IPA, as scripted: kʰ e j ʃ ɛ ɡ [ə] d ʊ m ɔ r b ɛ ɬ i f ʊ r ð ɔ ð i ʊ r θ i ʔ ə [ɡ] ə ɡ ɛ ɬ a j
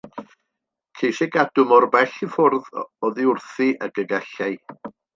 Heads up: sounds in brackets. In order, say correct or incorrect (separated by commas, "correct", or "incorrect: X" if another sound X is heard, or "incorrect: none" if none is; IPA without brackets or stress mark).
incorrect: a, correct